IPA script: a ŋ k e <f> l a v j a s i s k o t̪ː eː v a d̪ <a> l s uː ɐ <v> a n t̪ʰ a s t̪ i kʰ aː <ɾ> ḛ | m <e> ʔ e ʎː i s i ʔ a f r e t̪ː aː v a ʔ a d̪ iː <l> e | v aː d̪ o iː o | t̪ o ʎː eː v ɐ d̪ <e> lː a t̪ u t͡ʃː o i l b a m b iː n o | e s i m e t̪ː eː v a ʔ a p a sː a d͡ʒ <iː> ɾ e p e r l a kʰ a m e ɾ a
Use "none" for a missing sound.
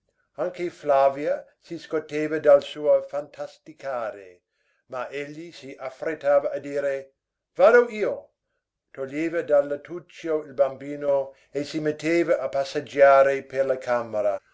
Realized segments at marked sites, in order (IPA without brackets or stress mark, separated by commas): f, a, f, ɾ, a, ɾ, a, aː